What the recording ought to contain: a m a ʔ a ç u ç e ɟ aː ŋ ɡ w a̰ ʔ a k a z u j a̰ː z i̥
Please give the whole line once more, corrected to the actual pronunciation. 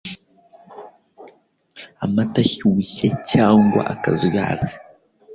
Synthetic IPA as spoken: a m a t a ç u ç e c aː ŋ ɡ w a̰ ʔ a k a z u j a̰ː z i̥